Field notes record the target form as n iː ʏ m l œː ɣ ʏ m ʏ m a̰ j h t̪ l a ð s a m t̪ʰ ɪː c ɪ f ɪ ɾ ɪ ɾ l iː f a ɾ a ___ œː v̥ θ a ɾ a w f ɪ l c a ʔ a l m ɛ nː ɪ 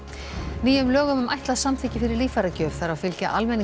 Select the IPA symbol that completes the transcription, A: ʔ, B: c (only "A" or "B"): B